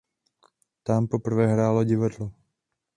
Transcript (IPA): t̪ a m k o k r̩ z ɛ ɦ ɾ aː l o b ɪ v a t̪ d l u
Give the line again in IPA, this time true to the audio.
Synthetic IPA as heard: t̪ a m p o p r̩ v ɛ ɦ ɾ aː l o ɟ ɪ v a d l o